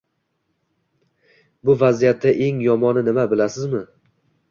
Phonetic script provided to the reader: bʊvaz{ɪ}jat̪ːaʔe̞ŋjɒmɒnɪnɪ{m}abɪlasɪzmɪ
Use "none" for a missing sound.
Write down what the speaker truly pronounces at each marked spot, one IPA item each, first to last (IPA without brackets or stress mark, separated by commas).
i, m